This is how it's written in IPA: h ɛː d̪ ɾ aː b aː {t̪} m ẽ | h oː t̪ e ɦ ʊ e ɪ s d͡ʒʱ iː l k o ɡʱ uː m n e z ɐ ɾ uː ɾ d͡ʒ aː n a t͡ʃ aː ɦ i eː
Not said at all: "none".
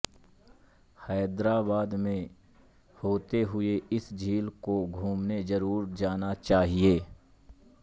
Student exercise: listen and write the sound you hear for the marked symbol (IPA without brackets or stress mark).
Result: d̪